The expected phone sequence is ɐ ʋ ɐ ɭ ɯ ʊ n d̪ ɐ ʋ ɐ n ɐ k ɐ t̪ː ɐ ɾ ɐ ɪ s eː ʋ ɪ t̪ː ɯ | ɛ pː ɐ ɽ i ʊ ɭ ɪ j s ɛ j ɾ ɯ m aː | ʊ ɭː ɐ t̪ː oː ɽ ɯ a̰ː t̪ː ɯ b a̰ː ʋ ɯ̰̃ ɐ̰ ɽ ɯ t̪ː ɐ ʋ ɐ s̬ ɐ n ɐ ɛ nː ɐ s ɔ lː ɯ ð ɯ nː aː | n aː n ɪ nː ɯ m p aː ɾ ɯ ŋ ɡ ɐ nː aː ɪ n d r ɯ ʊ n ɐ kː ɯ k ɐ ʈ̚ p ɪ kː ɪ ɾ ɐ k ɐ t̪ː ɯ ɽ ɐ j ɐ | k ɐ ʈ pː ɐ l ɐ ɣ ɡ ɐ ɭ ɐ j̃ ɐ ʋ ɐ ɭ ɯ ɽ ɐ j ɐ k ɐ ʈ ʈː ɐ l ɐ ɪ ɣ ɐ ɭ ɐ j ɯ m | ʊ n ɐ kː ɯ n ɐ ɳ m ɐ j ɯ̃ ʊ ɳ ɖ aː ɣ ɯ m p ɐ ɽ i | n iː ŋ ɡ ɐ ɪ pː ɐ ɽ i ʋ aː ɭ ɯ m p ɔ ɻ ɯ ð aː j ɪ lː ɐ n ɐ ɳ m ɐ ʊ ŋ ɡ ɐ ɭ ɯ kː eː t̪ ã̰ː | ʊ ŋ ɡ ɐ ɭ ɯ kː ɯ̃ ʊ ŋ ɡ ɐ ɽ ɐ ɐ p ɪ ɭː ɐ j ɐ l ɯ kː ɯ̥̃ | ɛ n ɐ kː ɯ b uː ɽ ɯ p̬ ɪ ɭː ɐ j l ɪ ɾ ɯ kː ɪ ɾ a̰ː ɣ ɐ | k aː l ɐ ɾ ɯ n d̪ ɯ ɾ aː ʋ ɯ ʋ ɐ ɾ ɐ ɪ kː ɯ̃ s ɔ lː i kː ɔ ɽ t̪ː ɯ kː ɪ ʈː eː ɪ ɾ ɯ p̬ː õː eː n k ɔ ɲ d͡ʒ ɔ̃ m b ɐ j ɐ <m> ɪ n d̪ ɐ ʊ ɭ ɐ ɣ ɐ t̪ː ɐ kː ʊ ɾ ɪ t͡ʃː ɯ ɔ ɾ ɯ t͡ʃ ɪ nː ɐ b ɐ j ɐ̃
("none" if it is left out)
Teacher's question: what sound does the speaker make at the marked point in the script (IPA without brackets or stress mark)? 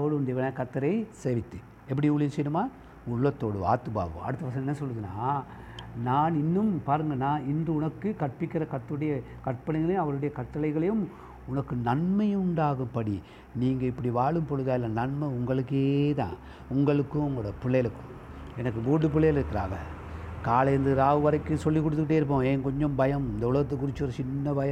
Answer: m